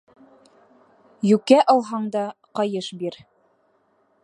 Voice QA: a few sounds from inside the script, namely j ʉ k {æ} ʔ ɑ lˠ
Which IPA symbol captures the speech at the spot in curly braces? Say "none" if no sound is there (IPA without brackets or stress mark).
æ